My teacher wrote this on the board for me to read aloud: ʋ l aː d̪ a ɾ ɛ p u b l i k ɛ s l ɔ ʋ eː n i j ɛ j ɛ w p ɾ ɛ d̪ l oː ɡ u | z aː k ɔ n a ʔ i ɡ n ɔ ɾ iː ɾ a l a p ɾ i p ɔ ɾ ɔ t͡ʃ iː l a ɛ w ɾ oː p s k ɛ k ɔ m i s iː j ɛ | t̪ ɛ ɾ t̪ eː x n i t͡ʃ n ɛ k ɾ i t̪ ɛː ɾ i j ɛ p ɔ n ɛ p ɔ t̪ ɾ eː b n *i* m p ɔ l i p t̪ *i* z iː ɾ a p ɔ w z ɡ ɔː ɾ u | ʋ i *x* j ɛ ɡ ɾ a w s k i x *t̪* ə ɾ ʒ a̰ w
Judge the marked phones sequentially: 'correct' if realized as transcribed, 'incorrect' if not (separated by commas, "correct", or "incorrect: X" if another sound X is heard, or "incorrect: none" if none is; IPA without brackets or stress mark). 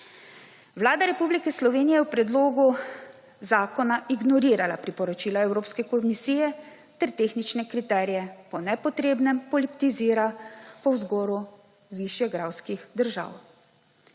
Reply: incorrect: ɛ, correct, incorrect: ʃ, incorrect: d̪